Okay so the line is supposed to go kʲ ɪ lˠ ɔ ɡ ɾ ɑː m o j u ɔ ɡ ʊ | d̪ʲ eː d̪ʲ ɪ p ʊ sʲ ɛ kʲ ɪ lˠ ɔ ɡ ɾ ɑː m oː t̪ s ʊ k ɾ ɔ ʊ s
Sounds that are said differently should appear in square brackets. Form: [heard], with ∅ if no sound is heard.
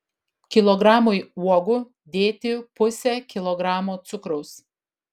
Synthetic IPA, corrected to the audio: kʲ ɪ lˠ ɔ ɡ ɾ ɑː m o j u ɔ ɡ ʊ | d̪ʲ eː [t̪ʲ] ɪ p ʊ sʲ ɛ kʲ ɪ lˠ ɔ ɡ ɾ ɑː m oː t̪ s ʊ k ɾ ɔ ʊ s